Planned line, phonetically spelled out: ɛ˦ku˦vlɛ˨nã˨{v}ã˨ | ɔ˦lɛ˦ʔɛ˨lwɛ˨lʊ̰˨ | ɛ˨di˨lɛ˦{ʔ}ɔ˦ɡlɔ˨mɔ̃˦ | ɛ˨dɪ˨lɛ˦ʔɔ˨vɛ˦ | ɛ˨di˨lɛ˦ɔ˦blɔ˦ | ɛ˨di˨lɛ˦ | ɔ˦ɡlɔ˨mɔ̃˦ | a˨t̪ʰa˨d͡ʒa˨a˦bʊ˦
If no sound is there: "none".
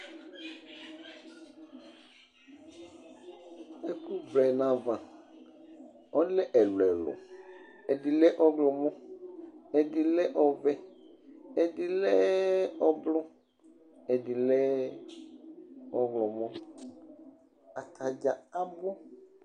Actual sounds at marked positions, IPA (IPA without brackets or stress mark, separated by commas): v, ʔ